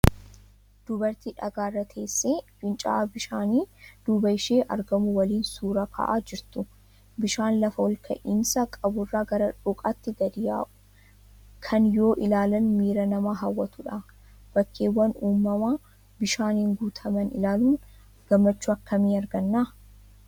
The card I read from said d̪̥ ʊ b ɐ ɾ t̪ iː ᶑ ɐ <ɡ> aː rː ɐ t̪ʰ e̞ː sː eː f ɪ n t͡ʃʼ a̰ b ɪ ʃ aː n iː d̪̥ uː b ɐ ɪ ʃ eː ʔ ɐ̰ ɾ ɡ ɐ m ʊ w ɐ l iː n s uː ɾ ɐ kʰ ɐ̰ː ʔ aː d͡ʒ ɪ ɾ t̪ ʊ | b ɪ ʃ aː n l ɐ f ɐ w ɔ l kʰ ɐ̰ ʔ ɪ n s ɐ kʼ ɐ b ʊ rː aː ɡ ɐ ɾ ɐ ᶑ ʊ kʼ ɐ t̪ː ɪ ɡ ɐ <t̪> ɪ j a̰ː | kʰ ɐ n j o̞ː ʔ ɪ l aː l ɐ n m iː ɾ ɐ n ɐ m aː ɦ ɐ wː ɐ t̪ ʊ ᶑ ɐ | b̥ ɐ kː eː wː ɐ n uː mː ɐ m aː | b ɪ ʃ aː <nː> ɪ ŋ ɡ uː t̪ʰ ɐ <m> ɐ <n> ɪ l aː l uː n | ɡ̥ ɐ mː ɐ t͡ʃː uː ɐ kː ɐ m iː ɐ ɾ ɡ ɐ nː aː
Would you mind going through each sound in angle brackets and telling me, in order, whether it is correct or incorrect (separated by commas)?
correct, incorrect, incorrect, correct, correct